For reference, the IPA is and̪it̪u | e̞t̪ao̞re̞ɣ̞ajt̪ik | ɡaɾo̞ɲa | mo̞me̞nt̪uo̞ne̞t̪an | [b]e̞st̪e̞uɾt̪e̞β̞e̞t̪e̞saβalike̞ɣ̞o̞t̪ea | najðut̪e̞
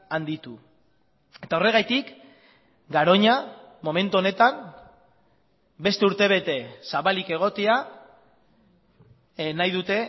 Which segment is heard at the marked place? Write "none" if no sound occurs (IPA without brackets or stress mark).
b